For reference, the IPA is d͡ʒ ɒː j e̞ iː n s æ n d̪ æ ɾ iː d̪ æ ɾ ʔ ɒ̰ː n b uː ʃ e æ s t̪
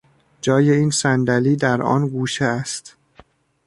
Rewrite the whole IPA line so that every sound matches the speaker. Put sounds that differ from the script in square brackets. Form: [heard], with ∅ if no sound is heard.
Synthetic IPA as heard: d͡ʒ ɒː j e̞ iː n s æ n d̪ æ [l] iː d̪ æ ɾ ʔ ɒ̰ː n [ɡ] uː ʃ e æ s t̪